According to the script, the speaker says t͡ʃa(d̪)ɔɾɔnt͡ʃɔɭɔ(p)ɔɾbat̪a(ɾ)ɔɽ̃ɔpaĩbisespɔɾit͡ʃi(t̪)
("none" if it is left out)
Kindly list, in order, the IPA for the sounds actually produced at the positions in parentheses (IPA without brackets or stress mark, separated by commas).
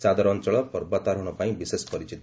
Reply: d̪, p, ɾ, t̪